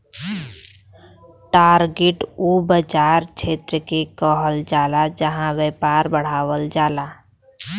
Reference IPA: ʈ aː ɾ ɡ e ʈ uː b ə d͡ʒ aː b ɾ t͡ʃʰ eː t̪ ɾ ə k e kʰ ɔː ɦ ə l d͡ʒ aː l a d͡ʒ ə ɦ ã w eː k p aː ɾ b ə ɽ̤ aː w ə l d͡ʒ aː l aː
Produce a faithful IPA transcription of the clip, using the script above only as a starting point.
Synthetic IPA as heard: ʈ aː ɾ ɡ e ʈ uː b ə d͡ʒ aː ɾ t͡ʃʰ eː t̪ ɾ ə k e k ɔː ɦ ə l d͡ʒ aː l a d͡ʒ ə ɦ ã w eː p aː ɾ b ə ɽ̤ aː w ə l d͡ʒ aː l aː